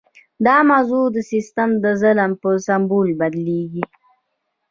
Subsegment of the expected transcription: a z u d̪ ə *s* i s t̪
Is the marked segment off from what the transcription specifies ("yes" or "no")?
no